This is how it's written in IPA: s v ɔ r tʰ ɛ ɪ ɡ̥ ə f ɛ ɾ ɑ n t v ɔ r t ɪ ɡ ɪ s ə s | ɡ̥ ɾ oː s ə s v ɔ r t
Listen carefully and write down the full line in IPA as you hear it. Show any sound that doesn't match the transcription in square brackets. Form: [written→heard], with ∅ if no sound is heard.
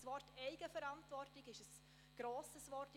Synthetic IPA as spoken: s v ɔ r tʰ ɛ ɪ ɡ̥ ə f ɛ ɾ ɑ n t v ɔ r t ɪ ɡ ɪ [s→ʃ] ə s | ɡ̥ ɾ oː s ə s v ɔ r t